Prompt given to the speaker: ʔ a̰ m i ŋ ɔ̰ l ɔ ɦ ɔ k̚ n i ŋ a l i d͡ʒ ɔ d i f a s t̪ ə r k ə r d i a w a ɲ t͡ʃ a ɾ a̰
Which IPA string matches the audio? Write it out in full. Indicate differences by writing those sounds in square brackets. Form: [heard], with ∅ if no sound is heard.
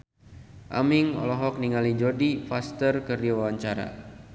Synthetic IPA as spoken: ʔ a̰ m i ŋ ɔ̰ l ɔ ɦ ɔ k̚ n i ŋ a l i d͡ʒ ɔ d i f a s t̪ ə r k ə r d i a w a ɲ t͡ʃ a ɾ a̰